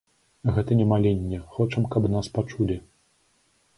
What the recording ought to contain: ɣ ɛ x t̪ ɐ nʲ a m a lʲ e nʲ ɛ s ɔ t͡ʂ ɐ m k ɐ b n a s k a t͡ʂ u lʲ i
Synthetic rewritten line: ɣ ɛ t̪ ɐ nʲ ɛ m a lʲ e nʲː ɛ x ɔ t͡ʂ ɐ m k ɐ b n a s p a t͡ʂ u lʲ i